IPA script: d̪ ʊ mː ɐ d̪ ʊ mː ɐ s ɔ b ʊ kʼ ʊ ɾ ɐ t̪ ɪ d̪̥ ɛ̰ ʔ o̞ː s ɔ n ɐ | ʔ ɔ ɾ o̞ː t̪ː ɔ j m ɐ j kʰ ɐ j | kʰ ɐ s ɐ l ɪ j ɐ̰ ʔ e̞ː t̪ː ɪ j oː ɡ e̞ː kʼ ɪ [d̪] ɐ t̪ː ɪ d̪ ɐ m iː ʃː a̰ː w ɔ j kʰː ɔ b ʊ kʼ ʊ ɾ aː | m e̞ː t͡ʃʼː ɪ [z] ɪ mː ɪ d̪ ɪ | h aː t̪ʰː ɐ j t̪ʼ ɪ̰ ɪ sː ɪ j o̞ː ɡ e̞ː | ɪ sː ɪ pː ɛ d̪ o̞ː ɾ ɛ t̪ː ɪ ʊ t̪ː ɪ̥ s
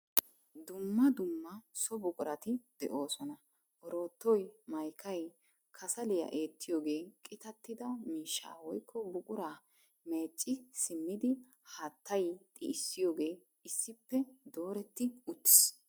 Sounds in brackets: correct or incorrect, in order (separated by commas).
incorrect, incorrect